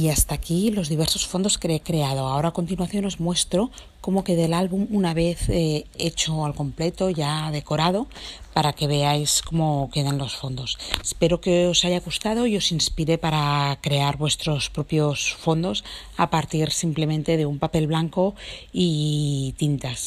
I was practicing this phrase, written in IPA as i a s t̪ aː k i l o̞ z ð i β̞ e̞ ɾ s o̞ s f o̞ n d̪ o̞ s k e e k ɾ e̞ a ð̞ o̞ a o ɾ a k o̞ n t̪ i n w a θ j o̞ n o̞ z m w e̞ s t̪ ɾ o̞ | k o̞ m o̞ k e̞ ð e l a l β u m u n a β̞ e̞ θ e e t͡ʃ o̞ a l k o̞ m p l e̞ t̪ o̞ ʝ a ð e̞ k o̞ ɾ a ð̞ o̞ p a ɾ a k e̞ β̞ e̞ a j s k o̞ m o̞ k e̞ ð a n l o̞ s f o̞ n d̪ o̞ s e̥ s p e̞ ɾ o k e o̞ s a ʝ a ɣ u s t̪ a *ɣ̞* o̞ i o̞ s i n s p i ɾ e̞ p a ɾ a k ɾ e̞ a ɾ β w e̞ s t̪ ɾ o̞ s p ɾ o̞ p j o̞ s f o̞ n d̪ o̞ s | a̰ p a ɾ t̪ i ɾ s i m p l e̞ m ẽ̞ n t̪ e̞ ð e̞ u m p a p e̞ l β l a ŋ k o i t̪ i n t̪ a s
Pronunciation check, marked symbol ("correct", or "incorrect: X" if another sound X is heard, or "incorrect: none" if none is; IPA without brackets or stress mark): incorrect: ð̞